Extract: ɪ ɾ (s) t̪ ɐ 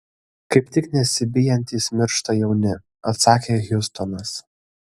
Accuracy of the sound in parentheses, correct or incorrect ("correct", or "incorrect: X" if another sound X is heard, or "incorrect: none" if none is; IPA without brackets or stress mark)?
incorrect: ʃ